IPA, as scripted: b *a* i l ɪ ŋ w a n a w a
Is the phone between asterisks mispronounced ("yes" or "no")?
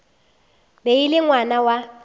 yes